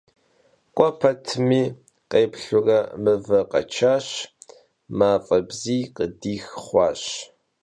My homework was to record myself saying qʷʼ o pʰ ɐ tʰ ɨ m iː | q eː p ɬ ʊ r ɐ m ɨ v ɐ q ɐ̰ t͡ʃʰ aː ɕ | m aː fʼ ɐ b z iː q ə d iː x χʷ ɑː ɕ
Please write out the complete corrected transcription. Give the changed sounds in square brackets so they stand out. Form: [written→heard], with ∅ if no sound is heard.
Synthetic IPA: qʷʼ [o→ɔ] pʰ ɐ tʰ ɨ m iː | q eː p ɬ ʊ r ɐ m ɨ v ɐ q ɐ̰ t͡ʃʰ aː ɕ | m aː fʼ ɐ b z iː q ə d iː x χʷ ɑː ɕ